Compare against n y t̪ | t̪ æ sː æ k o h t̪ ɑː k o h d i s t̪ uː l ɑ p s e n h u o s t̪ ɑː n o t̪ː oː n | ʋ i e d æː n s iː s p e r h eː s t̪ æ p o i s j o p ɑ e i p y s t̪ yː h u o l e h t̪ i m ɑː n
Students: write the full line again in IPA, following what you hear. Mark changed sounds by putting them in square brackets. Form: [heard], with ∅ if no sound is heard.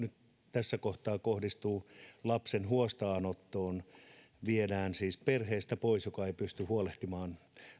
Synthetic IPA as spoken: n y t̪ | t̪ æ sː æ k o h t̪ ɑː k o h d i s t̪ uː l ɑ p s e n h u o s t̪ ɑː n o t̪ː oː n | ʋ i e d æː n s iː s p e r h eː s t̪ æ p o i s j o [k] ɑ e i p y s t̪ [y] h u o l e h t̪ i m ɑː n